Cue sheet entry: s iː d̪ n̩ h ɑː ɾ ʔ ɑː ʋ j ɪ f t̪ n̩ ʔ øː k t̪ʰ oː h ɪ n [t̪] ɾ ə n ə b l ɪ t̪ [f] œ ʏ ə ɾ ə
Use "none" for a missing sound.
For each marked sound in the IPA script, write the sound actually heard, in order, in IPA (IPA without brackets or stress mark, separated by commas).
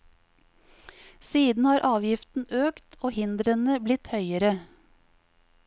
d̪, h